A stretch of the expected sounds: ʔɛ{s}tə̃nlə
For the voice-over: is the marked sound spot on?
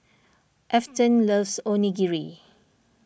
no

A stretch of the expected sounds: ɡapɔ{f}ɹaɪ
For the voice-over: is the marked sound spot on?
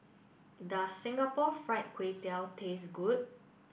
yes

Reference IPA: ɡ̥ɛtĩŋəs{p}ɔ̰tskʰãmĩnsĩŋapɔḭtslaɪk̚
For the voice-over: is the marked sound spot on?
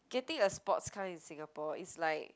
yes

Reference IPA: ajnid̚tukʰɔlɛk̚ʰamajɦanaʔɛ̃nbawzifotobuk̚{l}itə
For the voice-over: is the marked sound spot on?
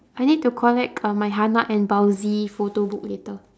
yes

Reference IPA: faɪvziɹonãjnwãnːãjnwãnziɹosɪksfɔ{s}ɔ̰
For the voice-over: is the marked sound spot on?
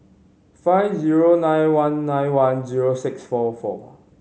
no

